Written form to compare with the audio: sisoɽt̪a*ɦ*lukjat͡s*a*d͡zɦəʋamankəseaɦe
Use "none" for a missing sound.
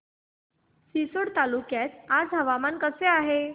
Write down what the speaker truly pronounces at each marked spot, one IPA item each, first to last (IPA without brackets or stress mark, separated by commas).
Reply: none, a